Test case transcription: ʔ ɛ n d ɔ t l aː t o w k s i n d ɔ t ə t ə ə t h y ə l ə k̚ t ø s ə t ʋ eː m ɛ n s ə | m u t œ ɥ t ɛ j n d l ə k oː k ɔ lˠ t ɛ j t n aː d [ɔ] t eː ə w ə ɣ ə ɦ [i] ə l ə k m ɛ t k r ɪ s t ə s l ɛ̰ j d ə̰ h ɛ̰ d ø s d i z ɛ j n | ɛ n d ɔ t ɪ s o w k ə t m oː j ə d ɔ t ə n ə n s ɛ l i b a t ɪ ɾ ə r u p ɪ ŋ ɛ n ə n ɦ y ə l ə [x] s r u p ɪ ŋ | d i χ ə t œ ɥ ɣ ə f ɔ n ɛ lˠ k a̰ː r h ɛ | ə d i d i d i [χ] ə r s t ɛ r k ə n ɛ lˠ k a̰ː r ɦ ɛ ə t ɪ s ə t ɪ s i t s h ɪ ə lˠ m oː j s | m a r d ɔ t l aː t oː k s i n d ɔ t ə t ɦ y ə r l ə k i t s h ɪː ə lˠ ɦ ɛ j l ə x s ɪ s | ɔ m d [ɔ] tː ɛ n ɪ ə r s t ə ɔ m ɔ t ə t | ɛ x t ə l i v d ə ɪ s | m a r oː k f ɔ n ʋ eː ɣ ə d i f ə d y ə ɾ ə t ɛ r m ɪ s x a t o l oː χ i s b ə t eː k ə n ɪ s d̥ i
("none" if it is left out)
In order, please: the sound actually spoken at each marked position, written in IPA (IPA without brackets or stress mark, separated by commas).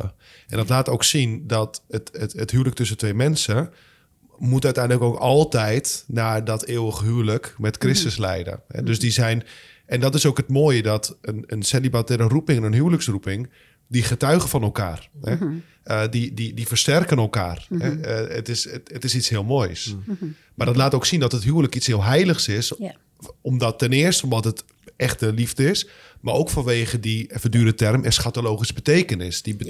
ɔ, y, k, f, ɔ